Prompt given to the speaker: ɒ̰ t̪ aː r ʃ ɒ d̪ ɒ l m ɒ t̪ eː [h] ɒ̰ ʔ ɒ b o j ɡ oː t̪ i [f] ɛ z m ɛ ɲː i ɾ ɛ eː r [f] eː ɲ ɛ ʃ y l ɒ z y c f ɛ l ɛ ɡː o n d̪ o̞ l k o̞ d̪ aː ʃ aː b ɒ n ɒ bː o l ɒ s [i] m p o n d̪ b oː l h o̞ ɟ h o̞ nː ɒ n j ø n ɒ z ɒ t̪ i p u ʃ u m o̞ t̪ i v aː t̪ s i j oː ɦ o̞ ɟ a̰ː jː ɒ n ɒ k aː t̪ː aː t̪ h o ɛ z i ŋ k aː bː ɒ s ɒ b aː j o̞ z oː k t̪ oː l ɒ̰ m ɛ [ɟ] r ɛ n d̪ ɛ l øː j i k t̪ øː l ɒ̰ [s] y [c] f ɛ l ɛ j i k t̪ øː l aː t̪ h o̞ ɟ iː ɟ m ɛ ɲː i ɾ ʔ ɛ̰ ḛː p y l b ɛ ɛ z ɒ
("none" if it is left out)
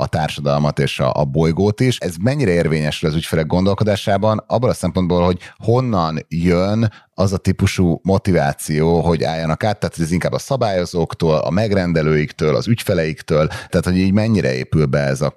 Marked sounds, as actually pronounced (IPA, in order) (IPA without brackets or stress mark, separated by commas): ʃ, ʃ, v, ɛ, ɡ, z, c